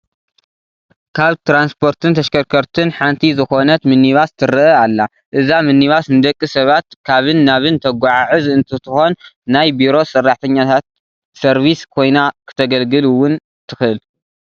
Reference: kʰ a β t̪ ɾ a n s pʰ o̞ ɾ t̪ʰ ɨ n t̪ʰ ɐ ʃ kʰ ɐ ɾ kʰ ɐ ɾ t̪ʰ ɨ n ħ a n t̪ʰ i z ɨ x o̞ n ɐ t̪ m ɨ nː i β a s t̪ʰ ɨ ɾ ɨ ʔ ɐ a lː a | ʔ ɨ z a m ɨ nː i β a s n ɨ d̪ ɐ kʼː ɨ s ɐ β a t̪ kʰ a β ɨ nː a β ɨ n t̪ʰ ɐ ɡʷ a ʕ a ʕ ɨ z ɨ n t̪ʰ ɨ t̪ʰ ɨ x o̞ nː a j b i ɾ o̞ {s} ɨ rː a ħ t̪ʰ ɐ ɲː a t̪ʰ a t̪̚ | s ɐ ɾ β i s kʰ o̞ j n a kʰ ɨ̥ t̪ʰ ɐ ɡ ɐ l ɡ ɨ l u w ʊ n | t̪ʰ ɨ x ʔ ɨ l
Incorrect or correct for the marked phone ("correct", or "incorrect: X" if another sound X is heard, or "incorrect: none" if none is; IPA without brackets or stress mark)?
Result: correct